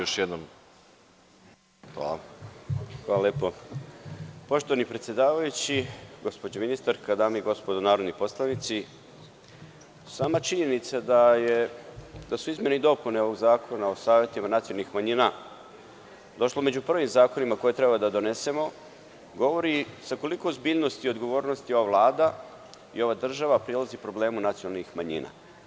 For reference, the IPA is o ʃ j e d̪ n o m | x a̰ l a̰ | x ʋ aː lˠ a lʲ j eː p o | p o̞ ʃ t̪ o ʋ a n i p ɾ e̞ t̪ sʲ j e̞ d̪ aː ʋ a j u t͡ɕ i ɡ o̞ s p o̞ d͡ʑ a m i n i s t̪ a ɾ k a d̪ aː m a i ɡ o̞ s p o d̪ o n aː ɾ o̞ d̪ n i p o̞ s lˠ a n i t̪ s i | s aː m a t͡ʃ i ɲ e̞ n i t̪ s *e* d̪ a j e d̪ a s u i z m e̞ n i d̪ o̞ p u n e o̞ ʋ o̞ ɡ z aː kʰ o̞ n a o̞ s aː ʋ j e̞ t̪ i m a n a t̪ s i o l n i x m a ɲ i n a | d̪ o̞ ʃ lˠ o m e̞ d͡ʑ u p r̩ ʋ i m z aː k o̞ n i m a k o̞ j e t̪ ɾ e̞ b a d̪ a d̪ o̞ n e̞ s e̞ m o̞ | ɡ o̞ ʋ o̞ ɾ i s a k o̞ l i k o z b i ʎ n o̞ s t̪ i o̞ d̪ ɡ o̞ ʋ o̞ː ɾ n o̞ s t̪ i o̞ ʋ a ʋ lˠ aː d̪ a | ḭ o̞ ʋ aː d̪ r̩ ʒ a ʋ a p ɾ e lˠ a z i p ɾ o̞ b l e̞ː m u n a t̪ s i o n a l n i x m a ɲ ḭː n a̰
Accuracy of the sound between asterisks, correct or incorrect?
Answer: incorrect